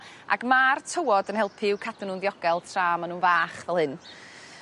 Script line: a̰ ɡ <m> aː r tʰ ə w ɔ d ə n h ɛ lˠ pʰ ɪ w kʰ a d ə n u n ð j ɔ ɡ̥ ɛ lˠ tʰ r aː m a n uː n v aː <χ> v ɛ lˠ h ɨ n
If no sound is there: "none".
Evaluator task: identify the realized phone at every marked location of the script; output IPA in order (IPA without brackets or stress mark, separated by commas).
m, χ